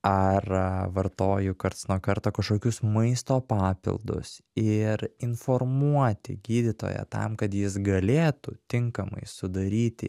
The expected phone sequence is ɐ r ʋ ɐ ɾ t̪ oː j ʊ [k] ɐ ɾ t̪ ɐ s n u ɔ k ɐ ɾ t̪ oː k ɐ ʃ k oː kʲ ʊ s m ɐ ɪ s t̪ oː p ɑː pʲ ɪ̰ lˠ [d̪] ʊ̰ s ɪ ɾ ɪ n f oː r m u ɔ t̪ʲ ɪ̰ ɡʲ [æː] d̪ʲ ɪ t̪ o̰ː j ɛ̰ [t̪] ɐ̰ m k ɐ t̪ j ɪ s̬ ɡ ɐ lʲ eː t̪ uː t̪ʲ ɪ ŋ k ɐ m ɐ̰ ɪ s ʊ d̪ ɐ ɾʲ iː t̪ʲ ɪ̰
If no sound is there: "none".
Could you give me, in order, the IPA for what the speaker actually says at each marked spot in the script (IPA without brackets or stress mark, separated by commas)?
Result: k, d̪, iː, t̪